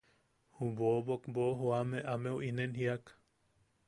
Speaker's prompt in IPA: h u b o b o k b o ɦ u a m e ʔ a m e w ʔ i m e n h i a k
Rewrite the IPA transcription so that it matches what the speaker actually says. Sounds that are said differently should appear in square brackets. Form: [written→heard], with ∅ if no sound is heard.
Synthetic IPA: h u b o b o k b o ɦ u a m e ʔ a m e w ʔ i [m→n] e n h i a k

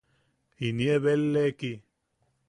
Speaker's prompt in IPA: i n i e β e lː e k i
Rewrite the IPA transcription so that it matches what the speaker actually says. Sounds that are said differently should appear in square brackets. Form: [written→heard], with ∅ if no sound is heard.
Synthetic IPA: i n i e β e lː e k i

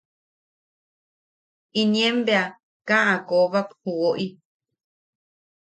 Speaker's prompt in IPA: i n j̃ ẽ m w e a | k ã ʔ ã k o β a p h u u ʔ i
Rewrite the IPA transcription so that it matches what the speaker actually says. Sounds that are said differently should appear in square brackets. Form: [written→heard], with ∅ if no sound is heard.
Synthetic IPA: i n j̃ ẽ m [w→b] e a | k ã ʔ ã k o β a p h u [u→o] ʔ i

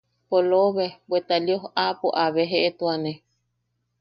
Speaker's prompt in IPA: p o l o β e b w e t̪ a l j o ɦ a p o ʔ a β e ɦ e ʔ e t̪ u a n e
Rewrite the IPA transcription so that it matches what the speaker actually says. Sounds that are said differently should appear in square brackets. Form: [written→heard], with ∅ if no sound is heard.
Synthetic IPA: p o l o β e b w e t̪ a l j o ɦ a p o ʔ a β e ɦ e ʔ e t̪ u a n e

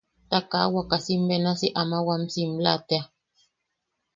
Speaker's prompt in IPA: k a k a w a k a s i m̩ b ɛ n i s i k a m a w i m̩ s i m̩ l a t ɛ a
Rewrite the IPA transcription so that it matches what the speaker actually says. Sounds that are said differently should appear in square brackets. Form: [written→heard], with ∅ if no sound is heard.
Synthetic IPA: [k→t] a k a w a k a s i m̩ b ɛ n [i→a] s i [k→ʔ] a m a w [i→a] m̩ s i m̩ l a t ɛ a

